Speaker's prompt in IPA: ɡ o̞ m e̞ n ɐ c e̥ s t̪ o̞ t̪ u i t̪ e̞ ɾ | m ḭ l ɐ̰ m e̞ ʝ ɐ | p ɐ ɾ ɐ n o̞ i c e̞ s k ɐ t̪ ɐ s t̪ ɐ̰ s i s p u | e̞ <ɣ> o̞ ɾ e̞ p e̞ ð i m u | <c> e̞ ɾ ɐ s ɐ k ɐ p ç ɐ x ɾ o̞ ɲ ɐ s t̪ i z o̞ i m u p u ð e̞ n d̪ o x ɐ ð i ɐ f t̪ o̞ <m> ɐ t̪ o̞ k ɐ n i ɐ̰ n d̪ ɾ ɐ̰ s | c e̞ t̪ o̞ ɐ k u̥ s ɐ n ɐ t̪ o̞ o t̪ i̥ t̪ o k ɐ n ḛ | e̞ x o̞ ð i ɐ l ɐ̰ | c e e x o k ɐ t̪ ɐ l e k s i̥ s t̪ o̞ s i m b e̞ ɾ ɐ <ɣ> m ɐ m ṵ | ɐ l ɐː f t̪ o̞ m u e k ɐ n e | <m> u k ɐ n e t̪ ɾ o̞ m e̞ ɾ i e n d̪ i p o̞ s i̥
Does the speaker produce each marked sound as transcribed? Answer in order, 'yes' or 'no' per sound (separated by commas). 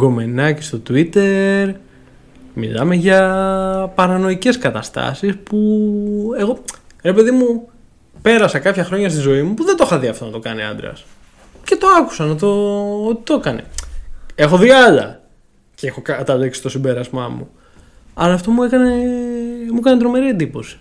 yes, no, no, no, yes